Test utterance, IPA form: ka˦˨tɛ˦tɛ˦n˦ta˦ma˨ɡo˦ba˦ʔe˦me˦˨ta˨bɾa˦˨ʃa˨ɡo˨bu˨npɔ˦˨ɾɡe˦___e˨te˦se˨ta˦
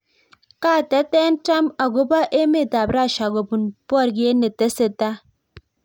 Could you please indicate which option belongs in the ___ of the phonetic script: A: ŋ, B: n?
B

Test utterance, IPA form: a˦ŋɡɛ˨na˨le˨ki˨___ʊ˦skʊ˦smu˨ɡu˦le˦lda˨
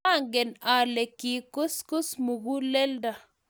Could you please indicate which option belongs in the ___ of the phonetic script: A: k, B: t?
A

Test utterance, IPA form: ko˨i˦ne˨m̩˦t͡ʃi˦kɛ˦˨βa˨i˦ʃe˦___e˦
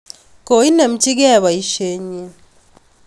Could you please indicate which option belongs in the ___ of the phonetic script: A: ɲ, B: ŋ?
A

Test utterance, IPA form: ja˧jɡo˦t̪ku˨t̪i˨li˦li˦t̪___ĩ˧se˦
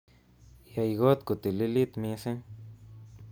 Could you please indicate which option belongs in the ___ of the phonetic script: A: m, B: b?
A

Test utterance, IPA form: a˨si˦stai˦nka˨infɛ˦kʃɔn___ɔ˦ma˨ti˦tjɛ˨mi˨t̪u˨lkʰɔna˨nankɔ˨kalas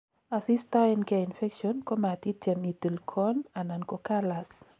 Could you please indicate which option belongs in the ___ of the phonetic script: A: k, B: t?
A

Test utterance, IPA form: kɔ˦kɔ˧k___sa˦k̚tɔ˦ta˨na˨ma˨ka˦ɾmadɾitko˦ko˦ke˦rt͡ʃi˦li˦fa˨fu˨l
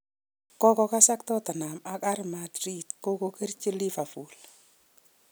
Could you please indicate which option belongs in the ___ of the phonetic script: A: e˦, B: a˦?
B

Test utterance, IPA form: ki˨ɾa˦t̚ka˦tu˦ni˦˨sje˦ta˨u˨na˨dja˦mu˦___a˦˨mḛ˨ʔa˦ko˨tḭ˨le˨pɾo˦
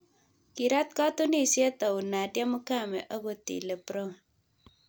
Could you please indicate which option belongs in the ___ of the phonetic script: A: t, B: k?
B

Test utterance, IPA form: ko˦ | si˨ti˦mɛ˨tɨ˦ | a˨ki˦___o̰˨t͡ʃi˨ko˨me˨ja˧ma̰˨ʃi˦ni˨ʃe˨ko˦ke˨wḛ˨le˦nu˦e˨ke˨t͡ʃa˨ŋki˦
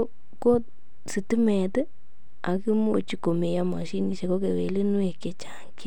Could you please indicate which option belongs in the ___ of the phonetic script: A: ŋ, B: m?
B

